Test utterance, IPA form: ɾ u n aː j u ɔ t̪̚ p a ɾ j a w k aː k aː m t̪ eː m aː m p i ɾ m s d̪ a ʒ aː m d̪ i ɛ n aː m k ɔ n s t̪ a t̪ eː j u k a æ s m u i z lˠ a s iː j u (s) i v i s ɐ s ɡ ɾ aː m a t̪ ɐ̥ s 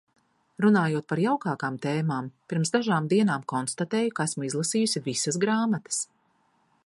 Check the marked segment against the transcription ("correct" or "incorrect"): correct